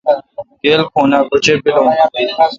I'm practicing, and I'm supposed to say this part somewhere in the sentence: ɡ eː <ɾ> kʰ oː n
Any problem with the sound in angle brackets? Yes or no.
yes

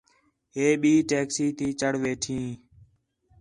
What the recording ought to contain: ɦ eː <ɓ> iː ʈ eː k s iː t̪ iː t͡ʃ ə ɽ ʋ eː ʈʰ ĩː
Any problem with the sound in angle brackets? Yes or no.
no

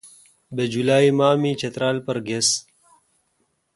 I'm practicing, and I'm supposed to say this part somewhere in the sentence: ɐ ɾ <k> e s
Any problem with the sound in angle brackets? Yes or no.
yes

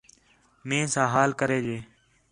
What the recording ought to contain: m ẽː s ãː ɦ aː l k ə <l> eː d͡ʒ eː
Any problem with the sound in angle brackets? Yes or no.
yes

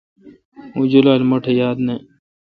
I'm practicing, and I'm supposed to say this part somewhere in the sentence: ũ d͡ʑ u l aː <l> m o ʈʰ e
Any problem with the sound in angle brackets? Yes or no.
no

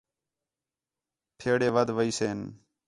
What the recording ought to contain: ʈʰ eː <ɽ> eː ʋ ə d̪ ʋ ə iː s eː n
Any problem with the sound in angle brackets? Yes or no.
no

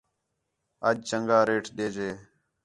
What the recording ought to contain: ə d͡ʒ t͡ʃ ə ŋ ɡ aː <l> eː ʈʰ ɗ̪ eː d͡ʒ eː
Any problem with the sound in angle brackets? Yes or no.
yes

